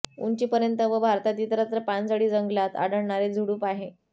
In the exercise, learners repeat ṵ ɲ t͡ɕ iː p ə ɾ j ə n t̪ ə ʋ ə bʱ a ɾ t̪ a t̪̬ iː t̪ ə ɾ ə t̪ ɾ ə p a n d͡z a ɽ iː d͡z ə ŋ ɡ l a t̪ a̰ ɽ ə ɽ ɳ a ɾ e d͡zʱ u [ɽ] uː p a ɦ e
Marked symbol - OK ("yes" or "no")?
yes